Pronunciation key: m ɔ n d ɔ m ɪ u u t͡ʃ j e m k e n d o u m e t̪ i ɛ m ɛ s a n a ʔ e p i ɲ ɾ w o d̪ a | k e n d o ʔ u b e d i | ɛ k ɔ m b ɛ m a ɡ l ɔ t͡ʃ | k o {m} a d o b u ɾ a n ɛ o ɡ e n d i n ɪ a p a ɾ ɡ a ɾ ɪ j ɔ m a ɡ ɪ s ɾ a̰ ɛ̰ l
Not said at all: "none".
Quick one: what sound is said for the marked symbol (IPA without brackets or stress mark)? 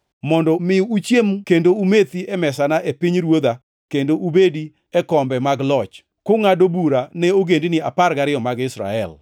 ŋ